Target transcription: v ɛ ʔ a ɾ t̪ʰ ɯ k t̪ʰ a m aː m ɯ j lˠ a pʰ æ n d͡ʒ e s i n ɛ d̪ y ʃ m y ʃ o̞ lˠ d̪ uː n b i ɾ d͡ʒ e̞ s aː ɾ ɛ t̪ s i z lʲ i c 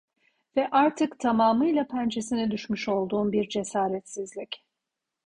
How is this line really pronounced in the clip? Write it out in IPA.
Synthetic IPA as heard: v ɛ ʔ a ɾ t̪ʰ ɯ k t̪ʰ a m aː m ɯ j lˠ a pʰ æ n d͡ʒ e s i n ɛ d̪ y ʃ m y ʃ o̞ lˠ d̪ uː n b i ɾ d͡ʒ e̞ s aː ɾ ɛ t̪ s i z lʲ i c